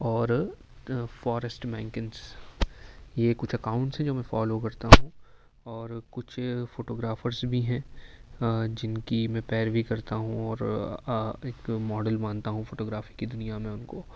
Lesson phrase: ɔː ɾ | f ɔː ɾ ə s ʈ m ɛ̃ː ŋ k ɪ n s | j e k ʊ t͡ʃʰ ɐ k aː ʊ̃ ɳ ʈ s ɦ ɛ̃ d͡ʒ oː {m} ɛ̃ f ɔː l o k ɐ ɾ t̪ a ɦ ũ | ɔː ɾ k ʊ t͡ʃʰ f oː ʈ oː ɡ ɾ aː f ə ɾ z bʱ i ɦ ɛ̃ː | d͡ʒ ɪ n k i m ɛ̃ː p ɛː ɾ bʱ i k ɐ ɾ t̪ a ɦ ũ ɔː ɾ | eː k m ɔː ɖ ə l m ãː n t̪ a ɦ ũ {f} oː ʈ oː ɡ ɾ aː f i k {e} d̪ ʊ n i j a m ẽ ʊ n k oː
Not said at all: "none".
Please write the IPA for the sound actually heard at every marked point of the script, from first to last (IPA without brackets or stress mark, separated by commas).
m, f, i